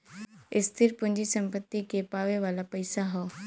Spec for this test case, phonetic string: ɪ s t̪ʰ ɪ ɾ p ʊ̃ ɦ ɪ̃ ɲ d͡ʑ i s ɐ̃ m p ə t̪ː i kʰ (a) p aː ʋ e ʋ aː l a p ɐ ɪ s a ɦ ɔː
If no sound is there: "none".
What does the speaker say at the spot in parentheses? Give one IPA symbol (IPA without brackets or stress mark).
e